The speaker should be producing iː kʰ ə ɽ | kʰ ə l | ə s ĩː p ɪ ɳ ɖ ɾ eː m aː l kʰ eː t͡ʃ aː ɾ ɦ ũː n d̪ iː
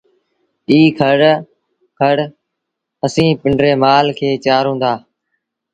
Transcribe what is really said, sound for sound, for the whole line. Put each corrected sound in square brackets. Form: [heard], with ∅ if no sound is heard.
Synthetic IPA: iː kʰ ə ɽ | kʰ ə [ɽ] | ə s ĩː p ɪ ɳ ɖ ɾ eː m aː l kʰ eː t͡ʃ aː ɾ ɦ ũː n d̪ [aː]